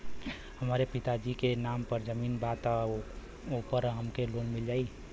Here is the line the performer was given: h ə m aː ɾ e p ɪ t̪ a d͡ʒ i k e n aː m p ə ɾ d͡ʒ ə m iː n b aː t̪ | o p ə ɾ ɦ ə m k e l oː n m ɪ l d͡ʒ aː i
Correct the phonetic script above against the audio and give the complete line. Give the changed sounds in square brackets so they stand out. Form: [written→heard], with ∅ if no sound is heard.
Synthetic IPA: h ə m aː ɾ e p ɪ t̪ a d͡ʒ i k e n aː m p ə ɾ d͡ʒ ə m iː n b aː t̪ | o p ə ɾ ɦ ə m k e l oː n m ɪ l d͡ʒ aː i